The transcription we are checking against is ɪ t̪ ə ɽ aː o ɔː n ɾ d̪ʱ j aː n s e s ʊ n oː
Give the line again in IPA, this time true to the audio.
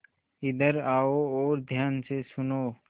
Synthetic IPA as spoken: ɪ d̪ ə ɾ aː o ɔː ɾ d̪ʱ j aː n s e s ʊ n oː

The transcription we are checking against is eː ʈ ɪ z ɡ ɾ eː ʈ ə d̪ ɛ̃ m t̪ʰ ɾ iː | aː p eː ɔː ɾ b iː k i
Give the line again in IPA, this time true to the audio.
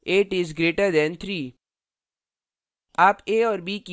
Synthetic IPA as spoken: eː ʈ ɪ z ɡ ɾ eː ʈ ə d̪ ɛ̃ n t̪ʰ ɾ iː | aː p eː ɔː ɾ b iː k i

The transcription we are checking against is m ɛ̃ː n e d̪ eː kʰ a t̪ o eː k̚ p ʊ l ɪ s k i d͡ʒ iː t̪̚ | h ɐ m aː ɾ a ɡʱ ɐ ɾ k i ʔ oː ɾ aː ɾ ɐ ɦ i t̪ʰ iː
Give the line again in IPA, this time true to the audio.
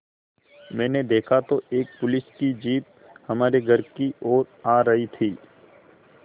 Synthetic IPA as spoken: m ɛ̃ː n e d̪ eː kʰ a t̪ o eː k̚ p ʊ l ɪ s k i d͡ʒ iː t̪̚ | h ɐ m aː ɾ e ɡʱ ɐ ɾ k i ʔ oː ɾ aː ɾ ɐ ɦ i t̪ʰ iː

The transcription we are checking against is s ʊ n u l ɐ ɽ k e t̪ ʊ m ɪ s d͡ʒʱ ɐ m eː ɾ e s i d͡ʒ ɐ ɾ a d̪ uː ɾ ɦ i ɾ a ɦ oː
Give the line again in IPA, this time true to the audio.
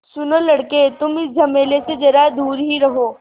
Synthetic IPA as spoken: s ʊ n o l ɐ ɽ k e t̪ ʊ m ɪ s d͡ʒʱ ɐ m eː l e s e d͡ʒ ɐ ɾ a d̪ uː ɾ ɦ i ɾ ɐ ɦ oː

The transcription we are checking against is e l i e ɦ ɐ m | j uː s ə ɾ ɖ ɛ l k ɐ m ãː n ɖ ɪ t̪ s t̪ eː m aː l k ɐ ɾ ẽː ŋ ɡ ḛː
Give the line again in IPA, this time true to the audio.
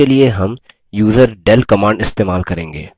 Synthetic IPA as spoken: e l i e ɦ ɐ m | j uː z ə ɾ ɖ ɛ l k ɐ m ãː ɳ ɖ ɪ s t̪ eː m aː l k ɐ ɾ ẽː ŋ ɡ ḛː

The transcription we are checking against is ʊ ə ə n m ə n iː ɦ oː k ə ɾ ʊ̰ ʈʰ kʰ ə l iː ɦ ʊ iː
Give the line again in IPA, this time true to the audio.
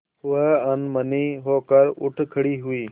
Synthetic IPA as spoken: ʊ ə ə n m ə n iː ɦ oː k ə ɾ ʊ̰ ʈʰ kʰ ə ɽ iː ɦ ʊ iː

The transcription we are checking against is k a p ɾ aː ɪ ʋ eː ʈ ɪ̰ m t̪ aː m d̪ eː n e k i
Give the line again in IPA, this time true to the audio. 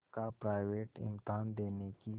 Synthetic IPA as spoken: k a p ɾ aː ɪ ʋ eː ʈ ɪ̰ m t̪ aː n d̪ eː n e k i

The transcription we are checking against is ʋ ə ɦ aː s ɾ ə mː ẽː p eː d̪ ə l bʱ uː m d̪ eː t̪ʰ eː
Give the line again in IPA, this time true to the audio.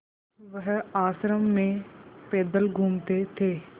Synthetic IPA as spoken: ʋ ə ɦ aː s ɾ ə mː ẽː p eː d̪ ə l ɡʱ uː m t̪ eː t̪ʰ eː

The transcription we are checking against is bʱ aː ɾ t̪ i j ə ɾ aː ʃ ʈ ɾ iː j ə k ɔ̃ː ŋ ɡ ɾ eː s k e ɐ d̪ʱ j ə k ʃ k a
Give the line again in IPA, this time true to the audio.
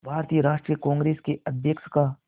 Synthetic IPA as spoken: bʱ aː ɾ t̪ i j ə ɾ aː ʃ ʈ ɾ i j ə k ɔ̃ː ŋ ɡ ɾ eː s k e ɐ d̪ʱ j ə k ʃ k a

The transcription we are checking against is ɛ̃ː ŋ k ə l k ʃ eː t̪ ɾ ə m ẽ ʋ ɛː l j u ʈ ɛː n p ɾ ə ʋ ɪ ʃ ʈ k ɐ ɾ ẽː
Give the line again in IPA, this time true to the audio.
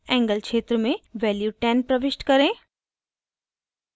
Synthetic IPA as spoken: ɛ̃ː ŋ ɡ ə l k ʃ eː t̪ ɾ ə m ẽ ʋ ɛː l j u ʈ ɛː n p ɾ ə ʋ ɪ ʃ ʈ k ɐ ɾ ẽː

